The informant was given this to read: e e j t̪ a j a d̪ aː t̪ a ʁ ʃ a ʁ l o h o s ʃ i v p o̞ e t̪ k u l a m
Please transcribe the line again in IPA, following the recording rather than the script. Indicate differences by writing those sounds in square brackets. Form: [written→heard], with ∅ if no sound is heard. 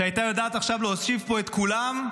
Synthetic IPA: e [e→a] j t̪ a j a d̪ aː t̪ a [ʁ→χ] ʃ a [ʁ→v] l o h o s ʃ i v p o̞ e t̪ k u l a m

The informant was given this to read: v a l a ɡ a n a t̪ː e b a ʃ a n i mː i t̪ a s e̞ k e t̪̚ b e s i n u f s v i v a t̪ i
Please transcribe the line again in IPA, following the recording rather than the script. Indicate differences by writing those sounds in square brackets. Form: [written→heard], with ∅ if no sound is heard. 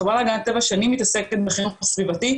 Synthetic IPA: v a l a ɡ a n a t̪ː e [b→v] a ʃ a n i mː i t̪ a s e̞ k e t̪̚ b e [s→χ] i n u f s v i v a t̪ i

